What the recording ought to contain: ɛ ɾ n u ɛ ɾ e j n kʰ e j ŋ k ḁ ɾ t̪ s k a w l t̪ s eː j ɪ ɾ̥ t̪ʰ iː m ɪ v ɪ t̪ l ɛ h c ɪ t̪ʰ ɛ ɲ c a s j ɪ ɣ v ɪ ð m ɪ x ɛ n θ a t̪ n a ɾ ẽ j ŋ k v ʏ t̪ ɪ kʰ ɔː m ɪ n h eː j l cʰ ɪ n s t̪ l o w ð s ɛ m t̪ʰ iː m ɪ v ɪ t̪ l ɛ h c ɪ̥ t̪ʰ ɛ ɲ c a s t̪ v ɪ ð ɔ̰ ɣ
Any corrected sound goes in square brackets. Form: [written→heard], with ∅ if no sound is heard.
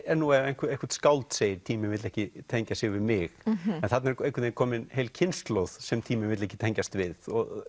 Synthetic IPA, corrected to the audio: ɛ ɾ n u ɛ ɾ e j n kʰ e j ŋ k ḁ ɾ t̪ s k a w l t̪ s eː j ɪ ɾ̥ t̪ʰ iː m ɪ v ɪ t̪ l ɛ h c ɪ t̪ʰ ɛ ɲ c a s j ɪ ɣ v ɪ ð m ɪ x ɛ n θ a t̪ n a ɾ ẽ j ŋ k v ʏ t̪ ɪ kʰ ɔː m ɪ n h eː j l cʰ ɪ n s t̪ l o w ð s ɛ m t̪ʰ iː m ɪ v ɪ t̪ l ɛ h c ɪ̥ t̪ʰ ɛ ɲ c a s t̪ v ɪ ð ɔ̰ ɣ

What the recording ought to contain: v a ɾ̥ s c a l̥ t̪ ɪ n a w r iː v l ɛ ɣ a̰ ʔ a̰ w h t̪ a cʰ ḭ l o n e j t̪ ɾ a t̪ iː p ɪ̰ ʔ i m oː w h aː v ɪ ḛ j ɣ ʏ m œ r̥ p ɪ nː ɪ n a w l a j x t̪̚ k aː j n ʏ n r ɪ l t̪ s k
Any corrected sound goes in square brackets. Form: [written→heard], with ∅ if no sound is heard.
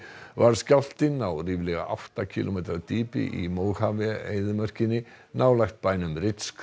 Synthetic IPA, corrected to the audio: v a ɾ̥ s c a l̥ t̪ ɪ n a w r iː v l ɛ ɣ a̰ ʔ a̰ w h t̪ a cʰ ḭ l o [n→m] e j t̪ ɾ a t̪ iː p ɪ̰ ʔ i m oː w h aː v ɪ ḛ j [ɣ→ð] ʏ m œ r̥ [p→c] ɪ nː ɪ n a w l a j x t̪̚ [k→p] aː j n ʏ [n→m] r ɪ [l→∅] t̪ s k

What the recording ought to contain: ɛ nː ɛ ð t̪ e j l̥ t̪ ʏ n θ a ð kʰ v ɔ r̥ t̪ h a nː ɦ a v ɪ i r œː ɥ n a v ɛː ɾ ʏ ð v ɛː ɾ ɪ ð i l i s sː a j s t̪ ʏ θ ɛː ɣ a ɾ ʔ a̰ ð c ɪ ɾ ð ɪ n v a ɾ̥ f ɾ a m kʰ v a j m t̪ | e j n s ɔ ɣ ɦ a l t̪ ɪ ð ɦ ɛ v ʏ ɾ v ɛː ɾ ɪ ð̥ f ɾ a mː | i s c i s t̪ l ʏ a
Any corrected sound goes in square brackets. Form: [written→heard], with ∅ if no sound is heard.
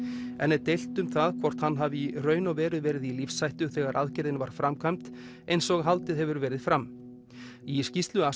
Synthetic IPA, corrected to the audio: ɛ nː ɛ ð t̪ e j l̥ t̪ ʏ [n→m] θ a ð kʰ v ɔ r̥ t̪ h a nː ɦ a v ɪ i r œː ɥ n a v ɛː ɾ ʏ ð v ɛː ɾ ɪ ð i l i [s→f] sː a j [s→h] t̪ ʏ θ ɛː ɣ a ɾ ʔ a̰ ð c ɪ ɾ ð ɪ n v a ɾ̥ f ɾ a m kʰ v a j m t̪ | e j n s ɔ ɣ ɦ a l t̪ ɪ ð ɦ ɛ v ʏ ɾ v ɛː ɾ ɪ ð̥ f ɾ a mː | i s c i s t̪ l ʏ a

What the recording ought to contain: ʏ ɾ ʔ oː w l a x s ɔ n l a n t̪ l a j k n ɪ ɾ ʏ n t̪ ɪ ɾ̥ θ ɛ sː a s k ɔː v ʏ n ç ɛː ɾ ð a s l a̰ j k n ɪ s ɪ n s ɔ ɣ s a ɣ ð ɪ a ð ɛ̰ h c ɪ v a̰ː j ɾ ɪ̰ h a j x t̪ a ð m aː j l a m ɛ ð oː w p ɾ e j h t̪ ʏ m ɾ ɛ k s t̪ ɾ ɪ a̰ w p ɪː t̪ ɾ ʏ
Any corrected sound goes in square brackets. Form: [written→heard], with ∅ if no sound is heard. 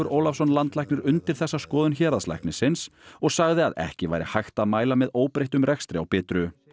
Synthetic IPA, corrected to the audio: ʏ ɾ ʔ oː w l a [x→f] s ɔ n l a n t̪ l a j k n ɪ ɾ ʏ n t̪ ɪ ɾ̥ θ ɛ sː a s k ɔː [v→ð] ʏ n ç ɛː ɾ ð a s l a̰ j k n ɪ s ɪ n s ɔ ɣ s a ɣ ð ɪ a ð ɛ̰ h c ɪ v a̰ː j ɾ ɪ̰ h a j x t̪ a ð m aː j l a m ɛ ð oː w p ɾ e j h t̪ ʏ m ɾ ɛ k s t̪ ɾ ɪ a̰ w p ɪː t̪ ɾ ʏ

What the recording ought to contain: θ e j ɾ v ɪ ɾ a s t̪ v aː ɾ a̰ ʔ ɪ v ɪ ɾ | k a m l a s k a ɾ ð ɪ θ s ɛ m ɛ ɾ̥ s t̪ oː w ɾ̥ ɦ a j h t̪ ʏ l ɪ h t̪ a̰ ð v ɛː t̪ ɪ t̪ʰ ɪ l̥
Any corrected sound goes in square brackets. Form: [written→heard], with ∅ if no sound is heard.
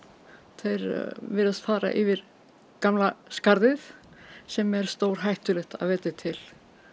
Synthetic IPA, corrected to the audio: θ e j ɾ v ɪ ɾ a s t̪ [v→f] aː ɾ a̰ ʔ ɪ v ɪ ɾ | k a m l a s k a ɾ ð ɪ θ s ɛ m ɛ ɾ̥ s t̪ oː w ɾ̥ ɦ a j h t̪ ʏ l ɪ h t̪ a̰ ð v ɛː t̪ ɪ t̪ʰ ɪ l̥

